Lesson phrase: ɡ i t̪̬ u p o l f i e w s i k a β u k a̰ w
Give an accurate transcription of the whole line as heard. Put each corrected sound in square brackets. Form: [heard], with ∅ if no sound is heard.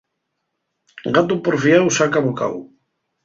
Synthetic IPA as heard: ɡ [a] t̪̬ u p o [ɾ] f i [a] w s [a] k a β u k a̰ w

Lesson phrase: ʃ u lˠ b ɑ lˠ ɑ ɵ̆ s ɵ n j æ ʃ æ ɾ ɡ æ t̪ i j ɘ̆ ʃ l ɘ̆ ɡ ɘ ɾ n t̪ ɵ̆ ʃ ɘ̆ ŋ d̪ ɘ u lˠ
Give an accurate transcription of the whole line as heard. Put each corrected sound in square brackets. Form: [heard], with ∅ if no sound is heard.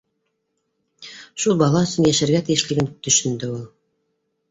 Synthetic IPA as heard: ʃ u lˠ b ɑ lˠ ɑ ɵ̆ s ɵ n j æ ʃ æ ɾ ɡ æ t̪ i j ɘ̆ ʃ l ɘ̆ ɡ ɘ [∅] n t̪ ɵ̆ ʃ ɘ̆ [n] d̪ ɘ u lˠ

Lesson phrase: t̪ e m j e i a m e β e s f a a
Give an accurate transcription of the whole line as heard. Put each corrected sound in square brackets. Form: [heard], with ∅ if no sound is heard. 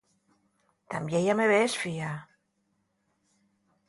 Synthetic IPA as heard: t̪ [a] m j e [j] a m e β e s f [i] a

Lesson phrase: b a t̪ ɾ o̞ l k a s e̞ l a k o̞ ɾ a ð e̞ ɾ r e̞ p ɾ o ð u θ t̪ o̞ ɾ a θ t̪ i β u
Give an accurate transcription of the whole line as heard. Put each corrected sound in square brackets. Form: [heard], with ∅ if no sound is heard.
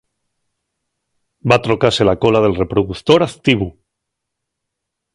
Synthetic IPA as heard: b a t̪ ɾ o̞ [∅] k a s e̞ l a k o̞ [l] a ð e̞ [l] r e̞ p ɾ o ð u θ t̪ o̞ ɾ a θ t̪ i β u

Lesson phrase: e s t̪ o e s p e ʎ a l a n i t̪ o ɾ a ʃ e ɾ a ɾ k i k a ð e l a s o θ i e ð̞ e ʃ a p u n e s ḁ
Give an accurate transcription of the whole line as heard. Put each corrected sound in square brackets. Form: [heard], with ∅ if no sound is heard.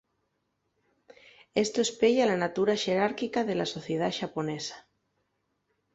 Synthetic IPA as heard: e s t̪ o e s p e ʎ a l a n [a] t̪ [u] ɾ a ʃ e ɾ a ɾ k i k a ð e l a s o θ [j] e ð̞ [a] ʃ a p [o] n e s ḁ

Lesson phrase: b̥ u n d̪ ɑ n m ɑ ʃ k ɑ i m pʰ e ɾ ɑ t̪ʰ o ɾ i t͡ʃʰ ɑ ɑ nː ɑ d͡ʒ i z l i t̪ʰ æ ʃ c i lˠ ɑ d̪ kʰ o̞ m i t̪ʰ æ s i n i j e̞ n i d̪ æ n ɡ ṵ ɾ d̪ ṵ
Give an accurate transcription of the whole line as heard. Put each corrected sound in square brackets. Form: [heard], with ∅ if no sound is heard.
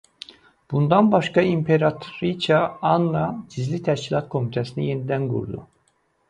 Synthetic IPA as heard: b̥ u n d̪ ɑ n [b] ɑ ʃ k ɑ i m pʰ e ɾ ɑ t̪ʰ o ɾ i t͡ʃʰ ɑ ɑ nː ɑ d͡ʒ i z l i t̪ʰ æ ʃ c i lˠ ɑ [t̪] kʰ o̞ m i t̪ʰ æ s i n i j e̞ n i d̪ æ n ɡ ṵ ɾ d̪ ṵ

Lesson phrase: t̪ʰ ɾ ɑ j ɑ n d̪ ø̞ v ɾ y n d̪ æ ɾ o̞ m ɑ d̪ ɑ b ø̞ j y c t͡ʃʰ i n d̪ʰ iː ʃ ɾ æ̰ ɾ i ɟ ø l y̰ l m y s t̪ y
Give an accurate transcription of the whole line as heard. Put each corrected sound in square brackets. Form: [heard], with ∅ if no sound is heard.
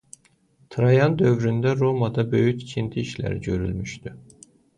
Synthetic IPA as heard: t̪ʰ ɾ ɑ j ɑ n d̪ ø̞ v ɾ y n d̪ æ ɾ o̞ m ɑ d̪ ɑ b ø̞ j y c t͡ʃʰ i n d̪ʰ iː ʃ [l] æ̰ ɾ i ɟ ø [ɾ] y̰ l m y [ʃ] t̪ y

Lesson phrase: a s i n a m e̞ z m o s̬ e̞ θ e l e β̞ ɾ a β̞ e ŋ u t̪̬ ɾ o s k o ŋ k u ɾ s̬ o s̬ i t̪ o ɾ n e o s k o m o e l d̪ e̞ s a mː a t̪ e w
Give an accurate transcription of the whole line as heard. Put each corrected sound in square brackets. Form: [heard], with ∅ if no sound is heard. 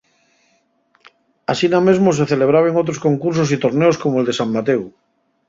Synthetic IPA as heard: a s i n a m e̞ z m o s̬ e̞ θ e l e β̞ ɾ a β̞ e ŋ [o] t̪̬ ɾ o s k o ŋ k u ɾ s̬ o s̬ i t̪ o ɾ n e o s k o m o e l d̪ e̞ s a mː a t̪ e w

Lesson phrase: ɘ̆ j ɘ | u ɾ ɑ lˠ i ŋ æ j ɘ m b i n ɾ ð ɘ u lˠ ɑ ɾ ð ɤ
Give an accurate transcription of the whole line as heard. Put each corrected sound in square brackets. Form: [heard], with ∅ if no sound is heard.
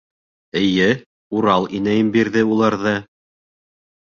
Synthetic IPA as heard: ɘ̆ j ɘ | u ɾ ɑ lˠ i [n] æ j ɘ m b i [∅] ɾ ð ɘ u lˠ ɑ ɾ ð ɤ

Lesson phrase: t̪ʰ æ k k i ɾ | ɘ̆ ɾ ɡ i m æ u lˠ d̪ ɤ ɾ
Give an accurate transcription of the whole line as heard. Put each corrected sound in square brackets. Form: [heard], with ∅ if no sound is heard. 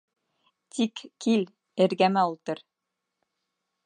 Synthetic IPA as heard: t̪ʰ [i] k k i [l] | ɘ̆ ɾ ɡ [æ] m æ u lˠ [t̪] ɤ ɾ

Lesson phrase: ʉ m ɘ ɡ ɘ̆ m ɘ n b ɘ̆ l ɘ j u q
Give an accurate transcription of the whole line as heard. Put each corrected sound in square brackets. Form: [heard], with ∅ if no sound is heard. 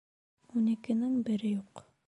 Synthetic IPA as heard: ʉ [n] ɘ [k] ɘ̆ [n] ɘ [ŋ] b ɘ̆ [ɾ] ɘ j u q

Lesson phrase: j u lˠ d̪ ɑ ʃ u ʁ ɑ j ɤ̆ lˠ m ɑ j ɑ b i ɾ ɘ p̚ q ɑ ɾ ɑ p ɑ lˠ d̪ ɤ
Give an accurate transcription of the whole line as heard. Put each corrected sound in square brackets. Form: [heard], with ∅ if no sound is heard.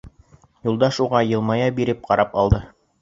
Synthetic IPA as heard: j u lˠ d̪ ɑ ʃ u ʁ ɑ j ɤ̆ lˠ m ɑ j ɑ b i ɾ ɘ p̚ q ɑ ɾ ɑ p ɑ lˠ d̪ ɤ

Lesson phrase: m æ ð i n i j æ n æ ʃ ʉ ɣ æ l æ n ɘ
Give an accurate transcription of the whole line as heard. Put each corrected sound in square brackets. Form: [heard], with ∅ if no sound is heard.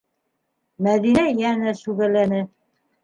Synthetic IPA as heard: m æ ð i n [æ] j æ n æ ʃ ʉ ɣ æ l æ n ɘ

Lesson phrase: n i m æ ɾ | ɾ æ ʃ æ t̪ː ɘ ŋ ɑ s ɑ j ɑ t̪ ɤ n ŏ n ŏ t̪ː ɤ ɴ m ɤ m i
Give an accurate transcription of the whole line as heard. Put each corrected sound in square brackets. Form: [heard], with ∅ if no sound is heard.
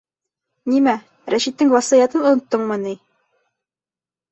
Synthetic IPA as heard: n i m æ [∅] | ɾ æ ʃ [i] t̪ː ɘ ŋ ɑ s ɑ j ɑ t̪ ɤ n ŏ n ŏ t̪ː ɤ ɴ m ɤ [n] i

